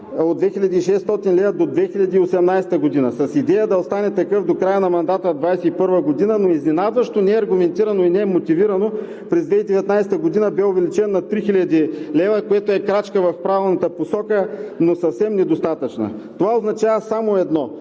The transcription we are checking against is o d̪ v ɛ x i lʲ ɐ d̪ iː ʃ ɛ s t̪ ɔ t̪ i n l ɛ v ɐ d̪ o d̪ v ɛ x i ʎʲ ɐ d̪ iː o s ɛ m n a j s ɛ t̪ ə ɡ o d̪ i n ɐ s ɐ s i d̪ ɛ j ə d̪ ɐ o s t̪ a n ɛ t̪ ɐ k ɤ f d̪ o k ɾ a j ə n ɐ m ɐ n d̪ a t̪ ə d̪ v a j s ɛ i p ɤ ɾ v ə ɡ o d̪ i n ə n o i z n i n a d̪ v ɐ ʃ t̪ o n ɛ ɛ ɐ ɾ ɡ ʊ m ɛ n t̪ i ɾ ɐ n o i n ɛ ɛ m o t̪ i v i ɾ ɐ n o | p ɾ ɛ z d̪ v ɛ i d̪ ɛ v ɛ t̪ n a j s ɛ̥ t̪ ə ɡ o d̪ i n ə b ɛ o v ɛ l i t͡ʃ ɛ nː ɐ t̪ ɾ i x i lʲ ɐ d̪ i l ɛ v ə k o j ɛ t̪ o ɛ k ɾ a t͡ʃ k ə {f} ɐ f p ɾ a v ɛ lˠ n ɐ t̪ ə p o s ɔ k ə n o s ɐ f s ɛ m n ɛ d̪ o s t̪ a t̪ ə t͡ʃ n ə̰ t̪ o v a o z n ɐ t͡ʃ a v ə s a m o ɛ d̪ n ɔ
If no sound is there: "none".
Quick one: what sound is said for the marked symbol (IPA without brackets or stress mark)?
v